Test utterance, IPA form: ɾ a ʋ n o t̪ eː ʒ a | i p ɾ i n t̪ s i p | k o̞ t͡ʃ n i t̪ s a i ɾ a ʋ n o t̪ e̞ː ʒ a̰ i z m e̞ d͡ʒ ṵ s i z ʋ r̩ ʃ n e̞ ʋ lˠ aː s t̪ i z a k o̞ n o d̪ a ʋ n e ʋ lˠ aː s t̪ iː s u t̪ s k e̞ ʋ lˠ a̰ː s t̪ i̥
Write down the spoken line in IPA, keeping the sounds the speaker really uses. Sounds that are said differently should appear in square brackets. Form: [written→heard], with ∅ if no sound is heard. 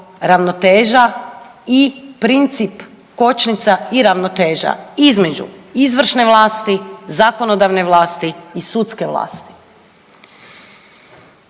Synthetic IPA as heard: ɾ a ʋ n o t̪ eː ʒ a | i p ɾ i n t̪ s i p | k o̞ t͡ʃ n i t̪ s a i ɾ a ʋ n o t̪ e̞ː ʒ a̰ i z m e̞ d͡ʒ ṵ [s→∅] i z ʋ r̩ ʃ n e̞ ʋ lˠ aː s t̪ i z a k o̞ n o d̪ a ʋ n e ʋ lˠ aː s t̪ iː s u t̪ s k e̞ ʋ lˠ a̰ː s t̪ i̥

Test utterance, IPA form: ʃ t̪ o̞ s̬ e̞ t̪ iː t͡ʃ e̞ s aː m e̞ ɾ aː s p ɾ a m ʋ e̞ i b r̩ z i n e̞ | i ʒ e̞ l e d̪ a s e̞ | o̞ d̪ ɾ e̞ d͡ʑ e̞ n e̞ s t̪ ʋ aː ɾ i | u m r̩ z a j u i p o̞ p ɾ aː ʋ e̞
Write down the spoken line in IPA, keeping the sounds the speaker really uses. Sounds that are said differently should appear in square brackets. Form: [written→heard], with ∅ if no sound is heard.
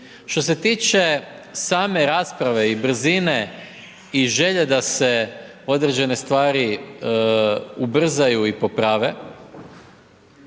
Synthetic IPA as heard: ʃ t̪ o̞ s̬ e̞ t̪ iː t͡ʃ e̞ s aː m e̞ ɾ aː s p ɾ a [m→∅] ʋ e̞ i b r̩ z i n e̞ | i ʒ e̞ [l→ʎ] e d̪ a s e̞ | o̞ d̪ ɾ e̞ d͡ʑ e̞ n e̞ s t̪ ʋ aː ɾ i | u [m→b] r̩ z a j u i p o̞ p ɾ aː ʋ e̞

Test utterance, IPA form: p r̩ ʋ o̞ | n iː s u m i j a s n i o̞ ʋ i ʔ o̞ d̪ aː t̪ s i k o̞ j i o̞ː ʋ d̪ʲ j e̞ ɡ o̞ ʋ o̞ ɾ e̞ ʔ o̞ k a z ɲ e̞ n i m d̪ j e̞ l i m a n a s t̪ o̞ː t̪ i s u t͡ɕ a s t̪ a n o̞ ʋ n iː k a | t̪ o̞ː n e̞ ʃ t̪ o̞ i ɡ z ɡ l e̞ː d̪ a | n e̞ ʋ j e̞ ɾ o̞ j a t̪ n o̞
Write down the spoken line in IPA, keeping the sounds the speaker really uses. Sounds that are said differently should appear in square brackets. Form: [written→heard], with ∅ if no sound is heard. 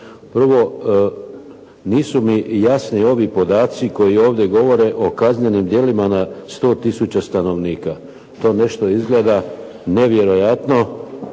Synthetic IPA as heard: p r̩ ʋ o̞ | n iː s u m i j a s n i o̞ ʋ i [ʔ→p] o̞ d̪ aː t̪ s i k o̞ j i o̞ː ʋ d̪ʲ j e̞ ɡ o̞ ʋ o̞ ɾ e̞ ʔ o̞ k a z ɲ e̞ n i m d̪ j e̞ l i m a n a s t̪ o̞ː t̪ i s u t͡ɕ a s t̪ a n o̞ ʋ n iː k a | t̪ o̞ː n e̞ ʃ t̪ o̞ i [ɡ→∅] z ɡ l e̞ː d̪ a | n e̞ ʋ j e̞ ɾ o̞ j a t̪ n o̞

